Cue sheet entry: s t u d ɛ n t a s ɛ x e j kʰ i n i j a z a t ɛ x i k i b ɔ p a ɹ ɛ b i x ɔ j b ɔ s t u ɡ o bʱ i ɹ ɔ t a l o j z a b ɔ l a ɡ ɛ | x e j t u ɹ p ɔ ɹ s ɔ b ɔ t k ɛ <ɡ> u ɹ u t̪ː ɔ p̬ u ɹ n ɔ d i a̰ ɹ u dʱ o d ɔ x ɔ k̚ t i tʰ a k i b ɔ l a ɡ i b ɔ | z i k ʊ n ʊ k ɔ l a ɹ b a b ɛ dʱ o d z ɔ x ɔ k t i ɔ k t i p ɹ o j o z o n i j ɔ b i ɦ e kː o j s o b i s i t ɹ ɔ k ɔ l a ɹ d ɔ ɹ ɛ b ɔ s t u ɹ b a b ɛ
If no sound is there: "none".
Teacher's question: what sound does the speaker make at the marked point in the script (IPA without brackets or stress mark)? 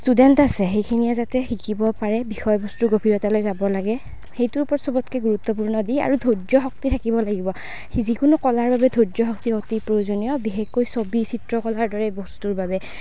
ɡ